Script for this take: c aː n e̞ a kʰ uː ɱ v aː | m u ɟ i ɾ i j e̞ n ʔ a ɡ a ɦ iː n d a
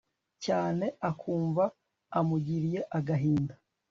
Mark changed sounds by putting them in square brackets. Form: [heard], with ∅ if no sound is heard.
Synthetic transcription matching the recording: c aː n e̞ a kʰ uː ɱ v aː | m u ɟ i ɾ i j e̞ [∅] ʔ a ɡ a ɦ iː n d a